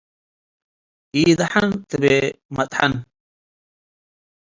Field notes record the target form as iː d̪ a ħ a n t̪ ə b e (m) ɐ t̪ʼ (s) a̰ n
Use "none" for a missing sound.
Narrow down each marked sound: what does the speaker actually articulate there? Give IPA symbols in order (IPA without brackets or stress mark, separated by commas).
m, ħ